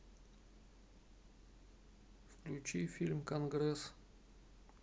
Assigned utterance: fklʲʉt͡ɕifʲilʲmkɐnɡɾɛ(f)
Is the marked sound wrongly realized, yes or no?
yes